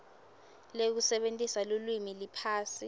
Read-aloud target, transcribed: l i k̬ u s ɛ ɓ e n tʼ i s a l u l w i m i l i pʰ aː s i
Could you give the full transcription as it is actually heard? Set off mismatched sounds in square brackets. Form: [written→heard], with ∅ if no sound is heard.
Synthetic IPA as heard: l [i→e] k̬ u s ɛ ɓ e n tʼ i s a l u l w i m i l i pʰ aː s i